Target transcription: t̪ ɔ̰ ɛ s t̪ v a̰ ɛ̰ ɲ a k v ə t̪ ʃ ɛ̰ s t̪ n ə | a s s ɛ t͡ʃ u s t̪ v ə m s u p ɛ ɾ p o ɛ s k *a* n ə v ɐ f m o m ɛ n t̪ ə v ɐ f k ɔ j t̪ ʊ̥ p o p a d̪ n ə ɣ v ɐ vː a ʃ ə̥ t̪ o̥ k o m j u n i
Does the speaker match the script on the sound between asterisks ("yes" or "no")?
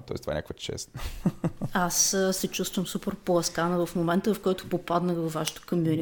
yes